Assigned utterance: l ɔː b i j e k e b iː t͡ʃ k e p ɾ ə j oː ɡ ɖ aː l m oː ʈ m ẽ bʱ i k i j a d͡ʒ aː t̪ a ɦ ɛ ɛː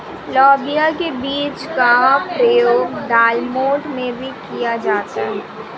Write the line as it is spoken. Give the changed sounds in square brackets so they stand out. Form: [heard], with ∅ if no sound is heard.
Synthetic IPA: l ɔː b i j [a] k e b iː t͡ʃ k [a] p ɾ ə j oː ɡ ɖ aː l m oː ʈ m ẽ bʱ i k i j a d͡ʒ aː t̪ a ɦ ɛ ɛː